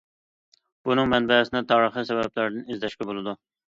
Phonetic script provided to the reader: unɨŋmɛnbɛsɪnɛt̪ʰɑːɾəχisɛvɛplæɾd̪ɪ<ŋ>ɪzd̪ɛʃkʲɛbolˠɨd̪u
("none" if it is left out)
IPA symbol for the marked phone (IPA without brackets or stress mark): n